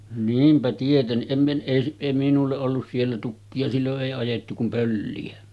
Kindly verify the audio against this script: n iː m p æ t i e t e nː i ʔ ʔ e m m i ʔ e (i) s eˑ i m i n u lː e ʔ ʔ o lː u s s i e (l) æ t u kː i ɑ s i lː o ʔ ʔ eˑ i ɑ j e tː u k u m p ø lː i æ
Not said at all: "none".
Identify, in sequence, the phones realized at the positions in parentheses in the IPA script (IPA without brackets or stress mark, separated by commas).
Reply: i, lː